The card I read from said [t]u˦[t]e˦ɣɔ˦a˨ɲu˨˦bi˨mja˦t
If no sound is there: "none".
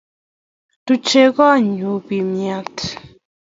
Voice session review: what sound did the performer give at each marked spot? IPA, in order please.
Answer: t, t͡ʃ

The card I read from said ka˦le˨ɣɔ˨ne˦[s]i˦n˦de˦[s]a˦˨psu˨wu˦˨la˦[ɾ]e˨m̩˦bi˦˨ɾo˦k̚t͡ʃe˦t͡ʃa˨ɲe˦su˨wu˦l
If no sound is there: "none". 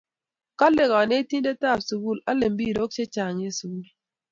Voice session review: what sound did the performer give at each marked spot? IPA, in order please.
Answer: t, t, l

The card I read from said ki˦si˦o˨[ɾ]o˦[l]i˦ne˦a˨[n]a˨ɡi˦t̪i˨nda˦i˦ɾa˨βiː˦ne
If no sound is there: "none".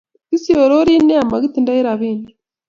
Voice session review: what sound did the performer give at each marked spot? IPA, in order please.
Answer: ɾ, ɾ, m

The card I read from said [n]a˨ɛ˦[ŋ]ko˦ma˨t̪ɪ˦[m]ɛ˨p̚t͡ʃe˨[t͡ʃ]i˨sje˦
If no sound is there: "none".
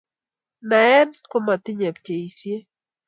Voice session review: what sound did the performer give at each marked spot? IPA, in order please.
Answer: n, n, ɲ, none

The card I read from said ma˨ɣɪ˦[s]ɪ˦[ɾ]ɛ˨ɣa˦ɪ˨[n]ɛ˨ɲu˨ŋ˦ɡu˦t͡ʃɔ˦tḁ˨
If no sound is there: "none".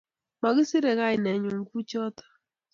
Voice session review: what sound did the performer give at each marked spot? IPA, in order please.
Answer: s, ɾ, n

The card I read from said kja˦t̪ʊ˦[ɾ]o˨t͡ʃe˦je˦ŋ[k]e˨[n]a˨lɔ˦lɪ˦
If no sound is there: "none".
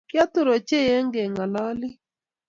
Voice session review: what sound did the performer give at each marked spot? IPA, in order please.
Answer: ɾ, ɡ, ŋ

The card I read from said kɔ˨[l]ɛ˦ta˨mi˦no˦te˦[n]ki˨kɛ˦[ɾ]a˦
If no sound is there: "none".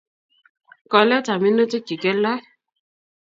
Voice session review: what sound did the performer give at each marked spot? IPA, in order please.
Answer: l, none, l

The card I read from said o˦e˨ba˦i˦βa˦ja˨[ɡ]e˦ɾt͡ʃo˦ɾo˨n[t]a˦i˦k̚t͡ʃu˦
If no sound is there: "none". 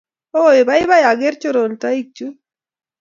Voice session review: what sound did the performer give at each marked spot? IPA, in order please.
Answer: ɡ, t

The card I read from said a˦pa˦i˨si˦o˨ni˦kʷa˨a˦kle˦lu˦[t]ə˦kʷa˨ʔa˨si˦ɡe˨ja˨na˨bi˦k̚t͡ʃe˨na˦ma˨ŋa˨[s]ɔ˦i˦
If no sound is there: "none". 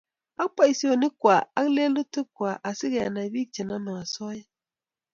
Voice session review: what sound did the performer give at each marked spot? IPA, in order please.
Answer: t, s

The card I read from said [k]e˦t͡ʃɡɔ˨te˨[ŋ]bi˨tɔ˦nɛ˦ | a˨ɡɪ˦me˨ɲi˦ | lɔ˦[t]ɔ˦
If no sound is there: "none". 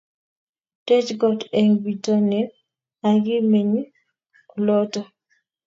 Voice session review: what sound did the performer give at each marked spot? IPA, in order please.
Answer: t, ŋ, t

